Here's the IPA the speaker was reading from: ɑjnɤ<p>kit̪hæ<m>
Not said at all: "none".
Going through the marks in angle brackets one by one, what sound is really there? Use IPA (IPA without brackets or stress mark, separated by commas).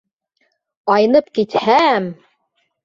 p, m